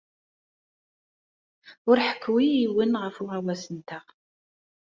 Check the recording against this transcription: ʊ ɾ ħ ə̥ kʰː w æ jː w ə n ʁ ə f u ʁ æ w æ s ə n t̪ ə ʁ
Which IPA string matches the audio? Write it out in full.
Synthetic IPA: ʊ ɾ ħ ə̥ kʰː w i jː w ə n ʁ ə f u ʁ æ w æ s ə n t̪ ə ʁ